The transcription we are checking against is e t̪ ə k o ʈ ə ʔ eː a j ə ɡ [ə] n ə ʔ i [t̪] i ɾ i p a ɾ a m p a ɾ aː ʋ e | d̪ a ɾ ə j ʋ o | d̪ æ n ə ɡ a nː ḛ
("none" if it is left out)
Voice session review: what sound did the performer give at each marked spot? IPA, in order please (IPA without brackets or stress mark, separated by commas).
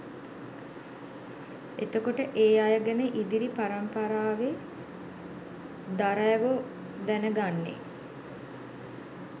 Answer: ə, d̪